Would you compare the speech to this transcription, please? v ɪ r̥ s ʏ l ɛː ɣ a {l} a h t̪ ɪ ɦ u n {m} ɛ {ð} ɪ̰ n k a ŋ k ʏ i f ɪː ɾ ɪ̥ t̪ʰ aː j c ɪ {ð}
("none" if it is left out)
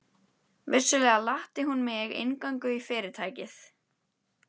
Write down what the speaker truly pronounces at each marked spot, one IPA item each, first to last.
l, m, ɣ, θ

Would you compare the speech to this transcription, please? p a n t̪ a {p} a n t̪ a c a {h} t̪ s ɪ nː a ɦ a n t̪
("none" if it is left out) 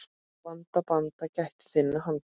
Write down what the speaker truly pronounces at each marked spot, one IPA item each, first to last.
p, h

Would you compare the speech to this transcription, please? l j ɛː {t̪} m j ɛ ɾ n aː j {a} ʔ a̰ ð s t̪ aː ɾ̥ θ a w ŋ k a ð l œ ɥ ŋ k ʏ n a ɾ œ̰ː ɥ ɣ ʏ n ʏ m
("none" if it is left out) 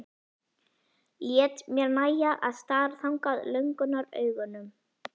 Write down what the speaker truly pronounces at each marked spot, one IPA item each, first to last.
t̪, a

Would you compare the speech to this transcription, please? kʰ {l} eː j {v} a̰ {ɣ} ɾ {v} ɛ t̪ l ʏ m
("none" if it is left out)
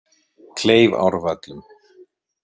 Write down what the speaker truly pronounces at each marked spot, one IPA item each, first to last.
l, v, w, v

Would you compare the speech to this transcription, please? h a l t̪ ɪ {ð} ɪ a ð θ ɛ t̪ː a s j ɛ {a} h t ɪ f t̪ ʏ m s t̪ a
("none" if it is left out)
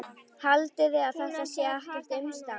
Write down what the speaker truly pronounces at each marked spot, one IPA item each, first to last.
ð, a

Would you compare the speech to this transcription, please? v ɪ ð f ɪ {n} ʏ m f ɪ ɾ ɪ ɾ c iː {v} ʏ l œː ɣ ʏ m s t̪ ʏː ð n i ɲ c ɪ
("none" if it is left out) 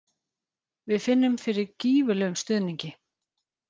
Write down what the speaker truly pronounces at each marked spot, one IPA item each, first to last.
nː, v

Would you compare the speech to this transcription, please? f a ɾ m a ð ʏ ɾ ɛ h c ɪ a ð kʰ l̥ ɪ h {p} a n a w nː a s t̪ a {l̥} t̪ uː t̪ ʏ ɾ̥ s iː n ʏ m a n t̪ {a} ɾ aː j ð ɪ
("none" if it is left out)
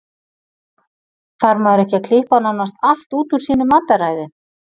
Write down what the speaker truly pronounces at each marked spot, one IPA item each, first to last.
p, l̥, a

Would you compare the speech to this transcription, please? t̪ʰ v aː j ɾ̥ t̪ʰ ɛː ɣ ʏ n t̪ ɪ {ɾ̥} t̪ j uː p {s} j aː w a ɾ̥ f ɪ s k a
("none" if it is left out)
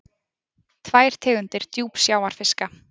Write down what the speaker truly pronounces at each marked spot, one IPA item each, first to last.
ɾ̥, s

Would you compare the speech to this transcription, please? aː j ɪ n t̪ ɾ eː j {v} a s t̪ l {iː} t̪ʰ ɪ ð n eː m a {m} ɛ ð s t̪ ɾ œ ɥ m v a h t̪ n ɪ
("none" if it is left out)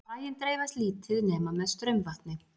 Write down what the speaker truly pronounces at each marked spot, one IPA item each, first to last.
v, iː, m

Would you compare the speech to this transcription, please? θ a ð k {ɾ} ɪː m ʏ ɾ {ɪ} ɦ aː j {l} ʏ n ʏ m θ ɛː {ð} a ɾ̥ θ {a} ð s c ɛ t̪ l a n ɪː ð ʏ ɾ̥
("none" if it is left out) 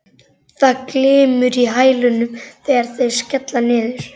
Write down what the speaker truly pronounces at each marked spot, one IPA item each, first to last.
l, i, l, ɣ, e

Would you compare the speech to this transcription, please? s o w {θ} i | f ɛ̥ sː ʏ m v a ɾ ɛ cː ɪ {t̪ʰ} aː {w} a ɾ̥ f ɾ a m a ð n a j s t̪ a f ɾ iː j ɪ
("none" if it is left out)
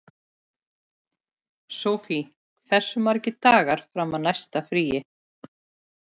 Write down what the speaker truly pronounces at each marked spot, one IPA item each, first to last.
f, t̪, ɣ

